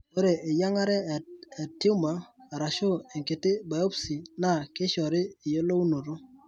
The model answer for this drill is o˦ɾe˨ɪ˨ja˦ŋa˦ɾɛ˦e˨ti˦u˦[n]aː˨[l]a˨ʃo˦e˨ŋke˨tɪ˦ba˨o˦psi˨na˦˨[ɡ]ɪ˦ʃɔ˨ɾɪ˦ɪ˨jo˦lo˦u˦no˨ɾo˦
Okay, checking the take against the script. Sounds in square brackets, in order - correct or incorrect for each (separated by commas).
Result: incorrect, incorrect, incorrect